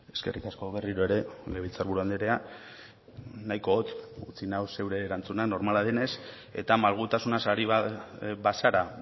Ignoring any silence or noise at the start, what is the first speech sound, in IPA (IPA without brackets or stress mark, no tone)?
e̞